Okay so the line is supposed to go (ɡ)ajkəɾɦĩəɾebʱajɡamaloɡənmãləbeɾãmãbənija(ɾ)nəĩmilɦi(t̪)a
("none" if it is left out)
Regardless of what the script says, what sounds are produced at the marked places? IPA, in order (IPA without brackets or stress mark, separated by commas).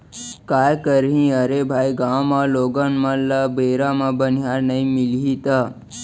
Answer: k, ɾ, t̪